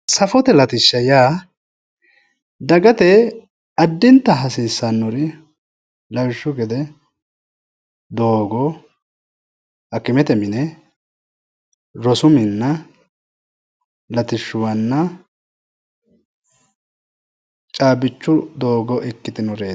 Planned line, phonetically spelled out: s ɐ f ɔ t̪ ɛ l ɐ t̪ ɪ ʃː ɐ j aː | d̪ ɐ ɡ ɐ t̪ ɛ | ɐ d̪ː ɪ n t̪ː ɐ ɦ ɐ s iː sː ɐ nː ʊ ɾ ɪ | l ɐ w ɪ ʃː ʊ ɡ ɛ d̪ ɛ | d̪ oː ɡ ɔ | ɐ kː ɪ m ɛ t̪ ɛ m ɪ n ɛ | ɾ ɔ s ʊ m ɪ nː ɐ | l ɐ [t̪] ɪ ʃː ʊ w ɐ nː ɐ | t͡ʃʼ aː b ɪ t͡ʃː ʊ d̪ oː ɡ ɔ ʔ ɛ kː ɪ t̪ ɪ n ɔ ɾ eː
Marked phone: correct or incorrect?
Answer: correct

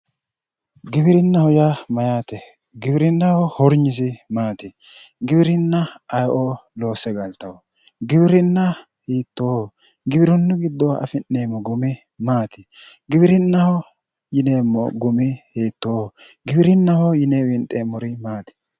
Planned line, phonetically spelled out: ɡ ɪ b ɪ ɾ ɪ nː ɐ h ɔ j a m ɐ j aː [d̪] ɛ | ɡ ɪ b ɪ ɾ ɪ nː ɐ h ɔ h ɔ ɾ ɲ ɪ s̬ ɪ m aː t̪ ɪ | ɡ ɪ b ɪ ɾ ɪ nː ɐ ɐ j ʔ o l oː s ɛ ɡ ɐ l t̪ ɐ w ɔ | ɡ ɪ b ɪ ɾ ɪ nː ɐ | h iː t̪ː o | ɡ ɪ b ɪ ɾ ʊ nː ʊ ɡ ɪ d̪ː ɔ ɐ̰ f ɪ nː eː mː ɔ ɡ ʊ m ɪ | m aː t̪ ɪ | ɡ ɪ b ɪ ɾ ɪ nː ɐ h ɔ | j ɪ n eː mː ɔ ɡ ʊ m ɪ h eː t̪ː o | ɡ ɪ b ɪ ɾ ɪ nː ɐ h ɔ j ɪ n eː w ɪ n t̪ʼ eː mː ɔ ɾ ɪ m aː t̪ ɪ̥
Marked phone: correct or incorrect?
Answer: incorrect: t̪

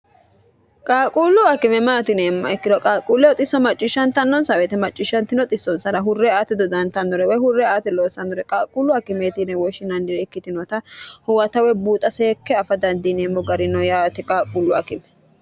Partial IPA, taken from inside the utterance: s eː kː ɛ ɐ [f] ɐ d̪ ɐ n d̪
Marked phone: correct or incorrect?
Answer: correct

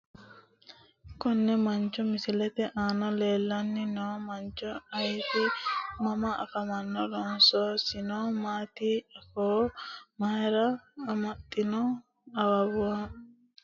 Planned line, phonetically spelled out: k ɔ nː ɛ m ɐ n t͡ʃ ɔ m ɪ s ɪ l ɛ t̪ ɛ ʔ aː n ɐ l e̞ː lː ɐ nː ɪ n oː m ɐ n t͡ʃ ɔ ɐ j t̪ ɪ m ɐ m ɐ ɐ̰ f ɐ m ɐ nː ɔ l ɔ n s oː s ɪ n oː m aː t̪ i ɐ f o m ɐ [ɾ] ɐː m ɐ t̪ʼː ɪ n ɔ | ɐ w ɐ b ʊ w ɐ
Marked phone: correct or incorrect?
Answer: correct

